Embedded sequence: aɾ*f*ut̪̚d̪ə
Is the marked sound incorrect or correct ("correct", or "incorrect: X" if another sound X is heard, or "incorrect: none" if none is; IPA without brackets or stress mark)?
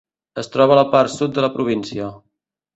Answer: incorrect: s